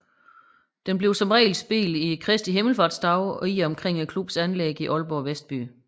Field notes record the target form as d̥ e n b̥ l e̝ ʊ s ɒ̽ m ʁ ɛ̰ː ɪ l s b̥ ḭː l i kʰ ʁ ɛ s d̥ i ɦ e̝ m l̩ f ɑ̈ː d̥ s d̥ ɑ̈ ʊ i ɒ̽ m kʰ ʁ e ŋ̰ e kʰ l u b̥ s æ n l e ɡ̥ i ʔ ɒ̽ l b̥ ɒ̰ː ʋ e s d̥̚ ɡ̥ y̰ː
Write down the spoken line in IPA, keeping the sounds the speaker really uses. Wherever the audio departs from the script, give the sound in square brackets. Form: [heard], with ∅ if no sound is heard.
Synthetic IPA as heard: d̥ e n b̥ l e̝ ʊ s ɒ̽ m ʁ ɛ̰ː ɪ l s b̥ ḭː l i kʰ ʁ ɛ s d̥ i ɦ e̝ m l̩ f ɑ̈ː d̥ s d̥ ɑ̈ ʊ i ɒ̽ m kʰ ʁ e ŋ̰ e kʰ l u b̥ s æ n l e ɡ̥ i ʔ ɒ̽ l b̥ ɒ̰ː ʋ e s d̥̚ [b̥] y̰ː